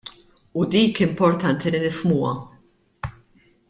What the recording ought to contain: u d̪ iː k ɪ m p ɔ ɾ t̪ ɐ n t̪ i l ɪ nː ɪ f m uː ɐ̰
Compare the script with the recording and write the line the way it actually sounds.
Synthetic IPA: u d̪ iː k ɪ m p ɔ ɾ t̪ ɐ n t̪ i l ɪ n ɪ f m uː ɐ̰

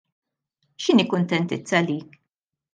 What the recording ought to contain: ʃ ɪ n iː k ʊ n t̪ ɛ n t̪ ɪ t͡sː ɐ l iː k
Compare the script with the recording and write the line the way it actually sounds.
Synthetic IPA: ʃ ɪ n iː k ʊ n t̪ ɛ n t̪ ɪ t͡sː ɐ l iː k

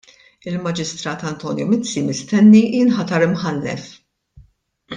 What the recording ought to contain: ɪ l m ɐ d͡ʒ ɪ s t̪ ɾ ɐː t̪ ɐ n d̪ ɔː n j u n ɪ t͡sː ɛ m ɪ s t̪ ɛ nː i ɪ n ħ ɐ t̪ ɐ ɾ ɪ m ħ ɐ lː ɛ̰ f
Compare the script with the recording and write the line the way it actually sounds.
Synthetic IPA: ɪ l m ɐ d͡ʒ ɪ s t̪ ɾ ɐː t̪ ɐ n t̪ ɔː n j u m ɪ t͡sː i m ɪ s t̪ ɛ nː i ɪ n ħ ɐ t̪ ɐ ɾ ɪ m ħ ɐ lː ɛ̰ f

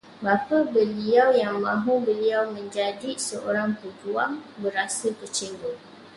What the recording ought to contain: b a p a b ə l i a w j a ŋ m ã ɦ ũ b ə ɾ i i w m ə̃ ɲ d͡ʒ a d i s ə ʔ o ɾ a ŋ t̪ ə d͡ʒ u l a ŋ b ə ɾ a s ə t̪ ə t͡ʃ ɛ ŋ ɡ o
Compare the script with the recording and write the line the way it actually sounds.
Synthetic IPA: b a p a b ə l i a w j a ŋ m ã ɦ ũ b ə l i a w m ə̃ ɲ d͡ʒ a d i s ə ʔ o ɾ a ŋ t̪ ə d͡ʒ u a ŋ b ə ɾ a s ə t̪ ə t͡ʃ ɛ ŋ ɡ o

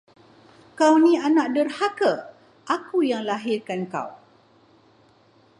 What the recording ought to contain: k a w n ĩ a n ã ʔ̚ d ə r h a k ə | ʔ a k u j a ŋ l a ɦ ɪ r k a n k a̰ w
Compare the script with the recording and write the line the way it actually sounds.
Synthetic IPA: k a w n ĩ a n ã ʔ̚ d ə r h a k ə | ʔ a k u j a ŋ l a ɦ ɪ r k a n k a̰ w

